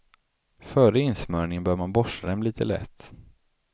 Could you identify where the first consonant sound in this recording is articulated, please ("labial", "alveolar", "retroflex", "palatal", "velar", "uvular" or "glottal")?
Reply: labial